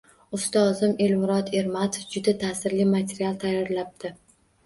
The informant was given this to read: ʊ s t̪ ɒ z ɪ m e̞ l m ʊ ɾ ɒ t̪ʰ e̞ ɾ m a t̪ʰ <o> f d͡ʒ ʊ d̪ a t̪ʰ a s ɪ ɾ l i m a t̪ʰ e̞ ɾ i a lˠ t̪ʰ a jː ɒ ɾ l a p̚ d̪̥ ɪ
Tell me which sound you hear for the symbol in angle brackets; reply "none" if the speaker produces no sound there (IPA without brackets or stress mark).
o